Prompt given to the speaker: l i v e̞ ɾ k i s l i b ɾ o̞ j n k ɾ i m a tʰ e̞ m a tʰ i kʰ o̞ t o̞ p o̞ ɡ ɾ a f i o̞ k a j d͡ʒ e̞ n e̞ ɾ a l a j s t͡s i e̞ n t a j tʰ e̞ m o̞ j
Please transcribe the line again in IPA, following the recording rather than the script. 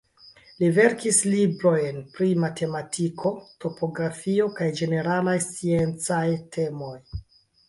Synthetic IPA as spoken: l i v e̞ ɾ k i s l i b ɾ o̞ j n p ɾ i m a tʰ e̞ m a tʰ i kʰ o̞ t o̞ p o̞ ɡ ɾ a f i o̞ k a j d͡ʒ e̞ n e̞ ɾ a l a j s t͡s i e̞ n t͡s a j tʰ e̞ m o̞ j